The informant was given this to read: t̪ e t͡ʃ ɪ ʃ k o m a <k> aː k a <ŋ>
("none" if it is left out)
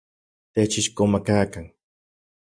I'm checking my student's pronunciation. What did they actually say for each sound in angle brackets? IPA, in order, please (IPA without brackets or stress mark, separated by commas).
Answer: k, ŋ